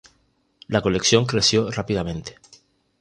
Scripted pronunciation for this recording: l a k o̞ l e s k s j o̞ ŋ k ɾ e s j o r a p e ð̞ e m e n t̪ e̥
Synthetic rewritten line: l a k o̞ l e k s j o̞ ŋ k ɾ e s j o r a p i ð̞ a m ẽ n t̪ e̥